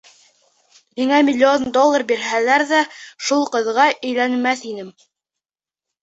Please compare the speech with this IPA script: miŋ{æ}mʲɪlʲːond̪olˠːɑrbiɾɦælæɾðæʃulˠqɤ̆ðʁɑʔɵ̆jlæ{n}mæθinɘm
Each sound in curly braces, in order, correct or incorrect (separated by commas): correct, correct